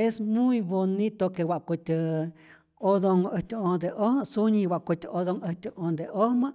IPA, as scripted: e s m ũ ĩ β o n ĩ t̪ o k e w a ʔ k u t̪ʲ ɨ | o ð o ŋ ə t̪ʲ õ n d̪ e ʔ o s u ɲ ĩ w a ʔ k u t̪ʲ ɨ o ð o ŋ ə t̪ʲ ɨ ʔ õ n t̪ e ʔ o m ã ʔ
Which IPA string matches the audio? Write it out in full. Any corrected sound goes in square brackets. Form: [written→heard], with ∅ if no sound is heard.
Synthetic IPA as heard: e s m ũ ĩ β o n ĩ t̪ o k e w a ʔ k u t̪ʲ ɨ | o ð o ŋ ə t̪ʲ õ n d̪ e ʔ o s u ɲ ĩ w a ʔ k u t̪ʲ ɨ o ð o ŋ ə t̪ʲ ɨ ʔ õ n [t̪→d̪] e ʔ o m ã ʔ